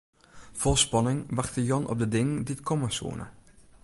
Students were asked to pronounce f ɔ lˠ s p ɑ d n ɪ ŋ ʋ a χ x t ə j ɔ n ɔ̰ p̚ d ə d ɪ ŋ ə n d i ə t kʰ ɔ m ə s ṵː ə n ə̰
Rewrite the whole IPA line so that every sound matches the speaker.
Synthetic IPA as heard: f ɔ lˠ s p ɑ n ɪ ŋ ʋ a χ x t ə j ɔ n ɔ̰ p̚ d ə d ɪ ŋ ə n d i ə t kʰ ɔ m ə s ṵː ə n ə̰